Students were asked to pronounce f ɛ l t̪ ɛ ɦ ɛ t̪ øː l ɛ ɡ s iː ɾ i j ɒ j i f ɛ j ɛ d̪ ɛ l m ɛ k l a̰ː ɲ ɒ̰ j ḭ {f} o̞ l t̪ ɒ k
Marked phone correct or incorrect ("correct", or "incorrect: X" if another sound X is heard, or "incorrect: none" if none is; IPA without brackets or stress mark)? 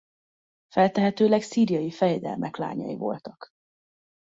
incorrect: v